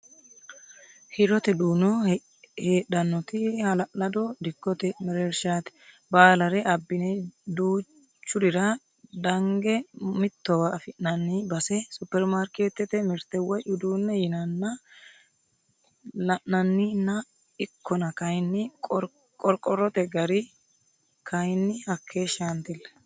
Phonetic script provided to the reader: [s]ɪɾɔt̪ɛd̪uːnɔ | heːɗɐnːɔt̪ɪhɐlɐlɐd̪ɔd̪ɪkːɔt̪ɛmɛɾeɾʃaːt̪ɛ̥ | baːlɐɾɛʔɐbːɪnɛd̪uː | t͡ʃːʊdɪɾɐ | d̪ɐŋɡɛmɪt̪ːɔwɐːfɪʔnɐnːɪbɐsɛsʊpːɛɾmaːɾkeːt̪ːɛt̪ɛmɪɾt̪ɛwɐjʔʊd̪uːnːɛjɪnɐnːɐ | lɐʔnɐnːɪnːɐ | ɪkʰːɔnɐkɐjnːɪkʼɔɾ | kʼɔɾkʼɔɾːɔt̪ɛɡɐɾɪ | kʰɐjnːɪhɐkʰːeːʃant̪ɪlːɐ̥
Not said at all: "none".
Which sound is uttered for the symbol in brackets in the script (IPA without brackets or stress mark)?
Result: h